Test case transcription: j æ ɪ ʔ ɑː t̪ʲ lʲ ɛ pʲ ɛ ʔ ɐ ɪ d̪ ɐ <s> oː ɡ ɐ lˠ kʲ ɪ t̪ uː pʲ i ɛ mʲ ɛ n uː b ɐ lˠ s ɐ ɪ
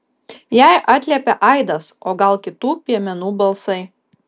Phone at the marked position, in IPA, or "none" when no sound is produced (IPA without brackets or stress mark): s